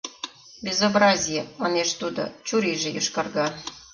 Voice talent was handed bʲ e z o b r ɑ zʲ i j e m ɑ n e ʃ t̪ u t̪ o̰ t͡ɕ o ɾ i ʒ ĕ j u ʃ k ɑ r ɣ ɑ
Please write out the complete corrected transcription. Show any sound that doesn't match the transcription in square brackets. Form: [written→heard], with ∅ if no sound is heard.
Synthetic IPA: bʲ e z o b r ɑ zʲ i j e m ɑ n e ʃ t̪ u [t̪→d̪] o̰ t͡ɕ [o→u] ɾ i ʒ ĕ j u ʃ k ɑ r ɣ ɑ